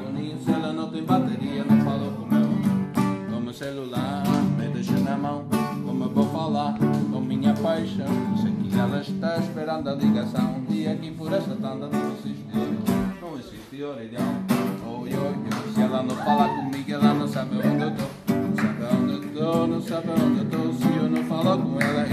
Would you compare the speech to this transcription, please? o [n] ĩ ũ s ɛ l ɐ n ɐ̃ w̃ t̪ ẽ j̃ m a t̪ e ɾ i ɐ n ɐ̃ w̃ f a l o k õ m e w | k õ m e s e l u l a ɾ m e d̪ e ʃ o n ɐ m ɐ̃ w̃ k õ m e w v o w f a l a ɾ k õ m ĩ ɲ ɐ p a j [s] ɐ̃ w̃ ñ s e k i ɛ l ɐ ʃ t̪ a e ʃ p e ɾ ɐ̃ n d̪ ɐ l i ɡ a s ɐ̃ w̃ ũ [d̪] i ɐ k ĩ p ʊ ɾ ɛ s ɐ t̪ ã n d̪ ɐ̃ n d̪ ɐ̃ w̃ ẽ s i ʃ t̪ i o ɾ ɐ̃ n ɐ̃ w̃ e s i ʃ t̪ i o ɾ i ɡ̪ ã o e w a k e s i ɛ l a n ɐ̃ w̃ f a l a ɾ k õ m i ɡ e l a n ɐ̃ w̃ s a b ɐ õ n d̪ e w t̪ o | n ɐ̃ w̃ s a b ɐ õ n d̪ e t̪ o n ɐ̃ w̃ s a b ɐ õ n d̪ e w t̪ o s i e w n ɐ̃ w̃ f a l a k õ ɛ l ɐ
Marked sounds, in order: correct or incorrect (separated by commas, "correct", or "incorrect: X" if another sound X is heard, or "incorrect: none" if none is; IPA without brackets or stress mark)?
correct, incorrect: ʃ, correct